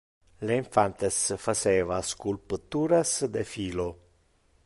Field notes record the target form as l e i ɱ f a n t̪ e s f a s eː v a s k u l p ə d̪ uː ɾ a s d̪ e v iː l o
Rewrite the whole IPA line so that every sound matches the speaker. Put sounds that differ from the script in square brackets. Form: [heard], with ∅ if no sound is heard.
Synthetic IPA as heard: l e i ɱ f a n t̪ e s f a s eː v a s k u l p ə [t̪] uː ɾ a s d̪ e [f] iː l o